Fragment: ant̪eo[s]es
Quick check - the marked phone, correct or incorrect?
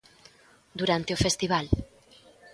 incorrect